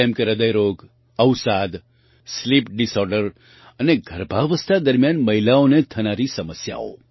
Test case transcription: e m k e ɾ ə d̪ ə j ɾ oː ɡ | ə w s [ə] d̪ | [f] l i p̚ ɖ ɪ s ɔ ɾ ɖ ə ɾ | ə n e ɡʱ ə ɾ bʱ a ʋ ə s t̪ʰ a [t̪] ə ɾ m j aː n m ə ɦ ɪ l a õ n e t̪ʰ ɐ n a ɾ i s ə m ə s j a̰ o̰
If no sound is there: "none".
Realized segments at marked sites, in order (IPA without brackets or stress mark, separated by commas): a, s, d̪